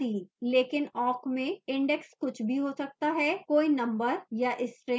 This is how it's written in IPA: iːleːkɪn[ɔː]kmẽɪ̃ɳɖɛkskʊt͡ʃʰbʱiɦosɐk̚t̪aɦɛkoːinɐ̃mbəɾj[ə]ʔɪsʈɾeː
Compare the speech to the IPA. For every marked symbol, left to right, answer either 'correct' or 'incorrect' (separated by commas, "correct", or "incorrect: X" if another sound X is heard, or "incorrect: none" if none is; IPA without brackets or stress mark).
correct, incorrect: a